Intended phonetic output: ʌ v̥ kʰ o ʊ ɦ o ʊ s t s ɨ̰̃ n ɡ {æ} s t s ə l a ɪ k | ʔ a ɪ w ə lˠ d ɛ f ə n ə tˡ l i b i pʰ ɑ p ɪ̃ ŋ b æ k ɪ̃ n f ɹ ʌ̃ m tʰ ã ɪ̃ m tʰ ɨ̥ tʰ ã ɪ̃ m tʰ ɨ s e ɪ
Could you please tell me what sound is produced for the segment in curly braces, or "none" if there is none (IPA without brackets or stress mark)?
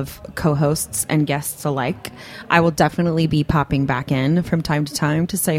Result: ɛ